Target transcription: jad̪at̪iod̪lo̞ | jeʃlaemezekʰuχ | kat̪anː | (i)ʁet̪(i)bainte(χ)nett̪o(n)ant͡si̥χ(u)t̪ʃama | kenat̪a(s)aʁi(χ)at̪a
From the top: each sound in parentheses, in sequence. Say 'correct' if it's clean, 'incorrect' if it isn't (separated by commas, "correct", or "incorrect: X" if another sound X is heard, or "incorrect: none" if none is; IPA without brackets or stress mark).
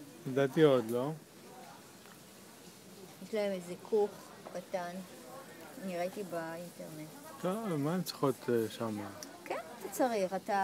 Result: correct, correct, incorrect: ʁ, incorrect: m, incorrect: o, incorrect: t͡s, correct